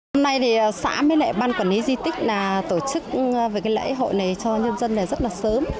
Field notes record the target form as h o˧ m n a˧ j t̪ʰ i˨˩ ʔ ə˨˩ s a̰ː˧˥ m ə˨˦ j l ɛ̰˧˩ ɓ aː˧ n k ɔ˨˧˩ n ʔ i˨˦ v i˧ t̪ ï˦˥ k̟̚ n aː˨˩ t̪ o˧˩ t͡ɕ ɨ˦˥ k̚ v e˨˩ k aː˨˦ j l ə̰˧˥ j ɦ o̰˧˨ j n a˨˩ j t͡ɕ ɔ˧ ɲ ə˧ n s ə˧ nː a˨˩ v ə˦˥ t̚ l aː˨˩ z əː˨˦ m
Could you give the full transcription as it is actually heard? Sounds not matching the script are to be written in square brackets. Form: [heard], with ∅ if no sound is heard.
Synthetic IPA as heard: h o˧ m n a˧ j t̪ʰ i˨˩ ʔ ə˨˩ s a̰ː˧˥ m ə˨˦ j l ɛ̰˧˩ ɓ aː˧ n k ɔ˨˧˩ n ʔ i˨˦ [z] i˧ t̪ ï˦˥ k̟̚ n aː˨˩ t̪ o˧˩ t͡ɕ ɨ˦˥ k̚ v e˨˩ k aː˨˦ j l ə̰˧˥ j ɦ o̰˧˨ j n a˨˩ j t͡ɕ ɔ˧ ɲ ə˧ n [z] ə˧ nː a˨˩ [z] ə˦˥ t̚ l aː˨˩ [s] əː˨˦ m